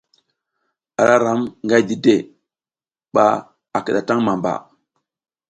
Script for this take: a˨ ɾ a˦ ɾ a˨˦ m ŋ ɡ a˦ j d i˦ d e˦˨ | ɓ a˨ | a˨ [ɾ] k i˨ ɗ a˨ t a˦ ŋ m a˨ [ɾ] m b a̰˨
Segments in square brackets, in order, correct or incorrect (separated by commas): incorrect, incorrect